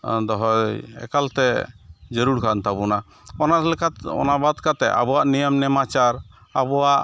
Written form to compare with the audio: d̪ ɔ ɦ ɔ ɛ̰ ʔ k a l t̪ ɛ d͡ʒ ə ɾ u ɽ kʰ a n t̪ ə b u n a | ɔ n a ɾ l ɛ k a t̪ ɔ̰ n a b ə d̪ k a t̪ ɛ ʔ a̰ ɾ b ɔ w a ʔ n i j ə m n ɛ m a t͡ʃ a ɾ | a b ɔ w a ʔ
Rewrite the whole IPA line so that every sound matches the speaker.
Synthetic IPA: d̪ ɔ ɦ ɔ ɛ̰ k a l t̪ ɛ d͡ʒ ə ɾ u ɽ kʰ a n t̪ a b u n a | ɔ n a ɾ l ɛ k a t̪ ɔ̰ n a b a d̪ k a t̪ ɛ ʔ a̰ b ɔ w a ʔ n i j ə m n ɛ m a t͡ʃ a ɾ | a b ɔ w a ʔ